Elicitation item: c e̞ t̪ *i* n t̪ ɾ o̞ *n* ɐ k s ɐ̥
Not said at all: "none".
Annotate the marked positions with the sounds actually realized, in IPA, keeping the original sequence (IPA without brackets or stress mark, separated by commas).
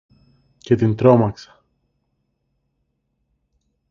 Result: i, m